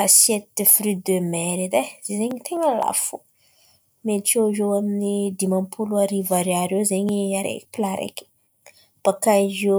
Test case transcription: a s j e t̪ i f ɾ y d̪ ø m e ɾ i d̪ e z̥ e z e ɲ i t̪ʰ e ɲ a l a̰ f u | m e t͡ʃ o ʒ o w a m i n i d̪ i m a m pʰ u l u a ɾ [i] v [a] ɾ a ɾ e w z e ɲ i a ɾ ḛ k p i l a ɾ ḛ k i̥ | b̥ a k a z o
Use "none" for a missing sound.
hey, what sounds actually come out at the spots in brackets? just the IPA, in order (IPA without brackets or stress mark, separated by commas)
i, a